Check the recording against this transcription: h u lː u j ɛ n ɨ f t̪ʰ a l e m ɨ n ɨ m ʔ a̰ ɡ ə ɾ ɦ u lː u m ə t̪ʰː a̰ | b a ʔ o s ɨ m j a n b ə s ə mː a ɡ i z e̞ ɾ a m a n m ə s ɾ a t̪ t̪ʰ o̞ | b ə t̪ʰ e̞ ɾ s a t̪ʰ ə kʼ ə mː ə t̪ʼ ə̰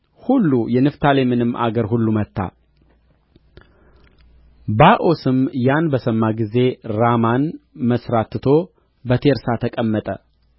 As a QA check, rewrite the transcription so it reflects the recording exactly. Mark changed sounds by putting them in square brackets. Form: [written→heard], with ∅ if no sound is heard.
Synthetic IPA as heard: h u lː u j ɛ n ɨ f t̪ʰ a l e m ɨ n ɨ m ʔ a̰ ɡ ə ɾ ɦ u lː u m ə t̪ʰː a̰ | b a ʔ o s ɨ m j a n b ə s ə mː a ɡ i z e̞ ɾ a m a n m ə s ɾ a t̪ t̪ʰ o̞ | b ə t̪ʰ e̞ ɾ s a t̪ʰ ə kʼ ə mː ə t̪ʼ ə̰